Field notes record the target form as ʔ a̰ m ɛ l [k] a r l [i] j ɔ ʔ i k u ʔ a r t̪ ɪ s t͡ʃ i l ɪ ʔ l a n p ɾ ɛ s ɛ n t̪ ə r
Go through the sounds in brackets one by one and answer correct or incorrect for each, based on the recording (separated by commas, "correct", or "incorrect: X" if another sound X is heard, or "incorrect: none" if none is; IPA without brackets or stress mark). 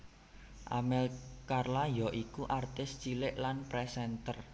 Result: correct, incorrect: a